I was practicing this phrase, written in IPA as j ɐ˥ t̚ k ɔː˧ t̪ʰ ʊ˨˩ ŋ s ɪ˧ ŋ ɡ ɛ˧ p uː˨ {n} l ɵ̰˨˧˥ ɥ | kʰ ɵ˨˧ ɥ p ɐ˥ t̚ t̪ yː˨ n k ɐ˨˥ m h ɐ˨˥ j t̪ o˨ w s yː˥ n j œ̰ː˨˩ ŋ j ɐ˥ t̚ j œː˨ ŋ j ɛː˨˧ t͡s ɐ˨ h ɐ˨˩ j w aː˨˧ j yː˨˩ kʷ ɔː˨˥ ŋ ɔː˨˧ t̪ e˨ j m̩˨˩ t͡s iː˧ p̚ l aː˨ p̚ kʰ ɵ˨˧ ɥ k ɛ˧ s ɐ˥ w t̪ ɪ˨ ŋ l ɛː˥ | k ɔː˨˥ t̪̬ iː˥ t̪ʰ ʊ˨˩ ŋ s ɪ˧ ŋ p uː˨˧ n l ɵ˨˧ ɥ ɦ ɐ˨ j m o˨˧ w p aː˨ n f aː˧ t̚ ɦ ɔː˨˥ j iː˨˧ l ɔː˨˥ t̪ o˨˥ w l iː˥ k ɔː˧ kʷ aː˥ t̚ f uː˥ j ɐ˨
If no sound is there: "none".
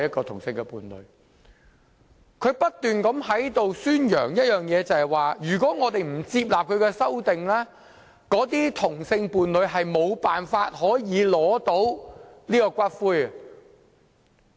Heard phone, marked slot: n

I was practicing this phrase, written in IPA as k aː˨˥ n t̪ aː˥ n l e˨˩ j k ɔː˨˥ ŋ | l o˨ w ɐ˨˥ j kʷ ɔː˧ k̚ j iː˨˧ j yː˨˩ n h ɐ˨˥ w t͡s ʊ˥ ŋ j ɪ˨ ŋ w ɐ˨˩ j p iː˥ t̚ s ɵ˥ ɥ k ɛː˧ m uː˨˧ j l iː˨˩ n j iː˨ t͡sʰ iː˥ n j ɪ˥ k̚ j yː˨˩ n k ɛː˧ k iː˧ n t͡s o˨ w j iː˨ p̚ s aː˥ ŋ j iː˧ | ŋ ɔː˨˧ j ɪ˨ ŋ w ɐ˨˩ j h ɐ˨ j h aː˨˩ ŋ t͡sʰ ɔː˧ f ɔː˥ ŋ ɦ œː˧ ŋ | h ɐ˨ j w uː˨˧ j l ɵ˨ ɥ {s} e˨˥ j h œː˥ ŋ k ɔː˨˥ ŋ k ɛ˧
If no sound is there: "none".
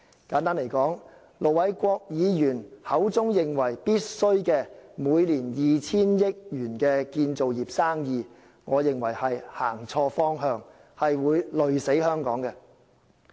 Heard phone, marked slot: s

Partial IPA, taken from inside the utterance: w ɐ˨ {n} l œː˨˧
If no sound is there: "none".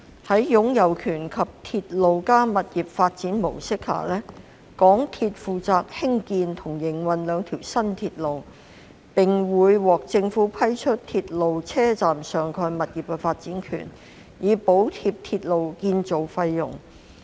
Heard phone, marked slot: n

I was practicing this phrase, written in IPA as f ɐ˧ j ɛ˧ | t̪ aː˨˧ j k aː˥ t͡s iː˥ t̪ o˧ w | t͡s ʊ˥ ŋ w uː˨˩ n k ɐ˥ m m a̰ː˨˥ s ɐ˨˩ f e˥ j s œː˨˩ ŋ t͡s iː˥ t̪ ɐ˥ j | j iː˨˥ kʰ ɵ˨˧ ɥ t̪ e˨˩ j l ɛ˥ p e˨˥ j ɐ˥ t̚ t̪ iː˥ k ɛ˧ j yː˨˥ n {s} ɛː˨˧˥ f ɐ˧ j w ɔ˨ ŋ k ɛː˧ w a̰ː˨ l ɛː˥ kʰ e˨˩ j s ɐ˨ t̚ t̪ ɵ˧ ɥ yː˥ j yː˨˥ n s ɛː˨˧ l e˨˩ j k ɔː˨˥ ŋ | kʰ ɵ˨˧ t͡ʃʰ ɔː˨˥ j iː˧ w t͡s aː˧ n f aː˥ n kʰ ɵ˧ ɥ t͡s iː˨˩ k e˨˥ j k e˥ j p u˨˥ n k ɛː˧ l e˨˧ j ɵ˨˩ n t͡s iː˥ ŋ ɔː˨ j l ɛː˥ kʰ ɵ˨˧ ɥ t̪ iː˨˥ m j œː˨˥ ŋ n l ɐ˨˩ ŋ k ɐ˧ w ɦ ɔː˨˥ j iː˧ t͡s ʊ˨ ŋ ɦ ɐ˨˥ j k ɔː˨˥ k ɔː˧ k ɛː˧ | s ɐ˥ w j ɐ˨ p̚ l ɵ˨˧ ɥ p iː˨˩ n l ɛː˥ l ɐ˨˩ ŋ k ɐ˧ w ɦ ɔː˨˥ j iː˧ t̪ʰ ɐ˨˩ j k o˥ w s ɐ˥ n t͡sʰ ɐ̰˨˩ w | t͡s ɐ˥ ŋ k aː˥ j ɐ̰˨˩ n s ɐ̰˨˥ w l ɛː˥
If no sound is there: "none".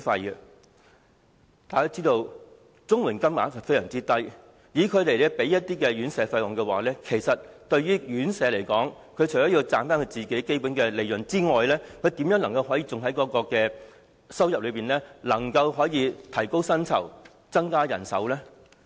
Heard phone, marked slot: s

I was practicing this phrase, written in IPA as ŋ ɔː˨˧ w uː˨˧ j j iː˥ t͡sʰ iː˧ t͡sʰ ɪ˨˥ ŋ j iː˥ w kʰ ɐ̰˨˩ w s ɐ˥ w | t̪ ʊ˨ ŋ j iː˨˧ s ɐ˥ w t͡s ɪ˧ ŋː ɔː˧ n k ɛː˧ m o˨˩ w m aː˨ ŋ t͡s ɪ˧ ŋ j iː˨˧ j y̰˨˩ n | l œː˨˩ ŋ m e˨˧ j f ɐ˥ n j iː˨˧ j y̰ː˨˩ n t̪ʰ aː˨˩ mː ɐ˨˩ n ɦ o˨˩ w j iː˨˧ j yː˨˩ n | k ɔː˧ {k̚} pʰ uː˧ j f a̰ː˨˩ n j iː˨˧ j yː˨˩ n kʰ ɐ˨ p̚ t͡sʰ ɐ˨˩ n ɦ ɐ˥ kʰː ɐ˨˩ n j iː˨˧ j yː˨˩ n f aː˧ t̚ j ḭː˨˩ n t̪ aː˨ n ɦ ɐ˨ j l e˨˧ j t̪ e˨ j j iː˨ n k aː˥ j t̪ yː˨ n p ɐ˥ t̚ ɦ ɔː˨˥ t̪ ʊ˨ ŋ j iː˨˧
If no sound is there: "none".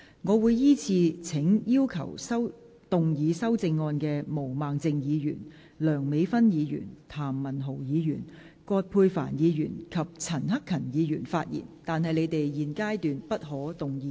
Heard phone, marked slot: t̚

